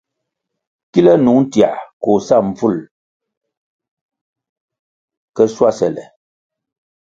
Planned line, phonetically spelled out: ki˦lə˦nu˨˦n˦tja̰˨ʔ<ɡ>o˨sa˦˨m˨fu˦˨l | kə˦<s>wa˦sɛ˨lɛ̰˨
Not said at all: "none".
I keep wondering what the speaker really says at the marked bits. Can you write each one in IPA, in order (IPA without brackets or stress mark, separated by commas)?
k, s